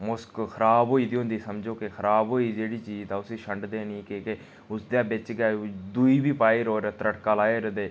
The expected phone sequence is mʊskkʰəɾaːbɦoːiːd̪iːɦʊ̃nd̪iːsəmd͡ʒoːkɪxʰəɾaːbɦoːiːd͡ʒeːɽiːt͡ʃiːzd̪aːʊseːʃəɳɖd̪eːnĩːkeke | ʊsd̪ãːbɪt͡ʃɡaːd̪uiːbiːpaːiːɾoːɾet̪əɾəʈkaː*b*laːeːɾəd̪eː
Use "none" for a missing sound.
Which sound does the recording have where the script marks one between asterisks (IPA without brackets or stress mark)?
none